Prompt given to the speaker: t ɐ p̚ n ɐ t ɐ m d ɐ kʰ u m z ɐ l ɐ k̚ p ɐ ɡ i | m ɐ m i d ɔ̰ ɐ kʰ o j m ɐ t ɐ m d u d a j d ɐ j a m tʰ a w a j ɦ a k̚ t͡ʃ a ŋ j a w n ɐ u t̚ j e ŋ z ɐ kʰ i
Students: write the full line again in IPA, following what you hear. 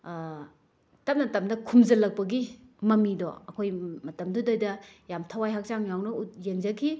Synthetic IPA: t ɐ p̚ n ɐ t ɐ m d ɐ kʰ u m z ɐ l ɐ k̚ p ɐ ɡ i | m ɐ m i d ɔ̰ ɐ kʰ o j m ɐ t ɐ m d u d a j d ɐ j a m tʰ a w a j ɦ a k̚ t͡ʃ a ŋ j a w n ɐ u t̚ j e ŋ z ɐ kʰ i

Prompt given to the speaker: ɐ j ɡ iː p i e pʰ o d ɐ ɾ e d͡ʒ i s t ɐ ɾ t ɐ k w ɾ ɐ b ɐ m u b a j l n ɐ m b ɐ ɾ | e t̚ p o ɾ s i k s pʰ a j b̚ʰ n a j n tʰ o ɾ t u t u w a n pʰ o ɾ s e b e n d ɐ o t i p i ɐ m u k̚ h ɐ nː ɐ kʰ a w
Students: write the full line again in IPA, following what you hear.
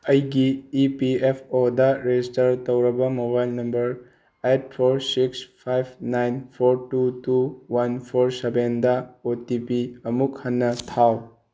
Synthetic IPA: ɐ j ɡ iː p i e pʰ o d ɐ ɾ e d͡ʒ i s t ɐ ɾ t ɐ w ɾ ɐ b ɐ m o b a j l n ɐ m b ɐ ɾ | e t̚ pʰ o ɾ s i k s pʰ a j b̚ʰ n a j n pʰ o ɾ t u t u w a n pʰ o ɾ s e b e n d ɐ o t i p i ɐ m u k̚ h ɐ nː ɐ tʰ a w

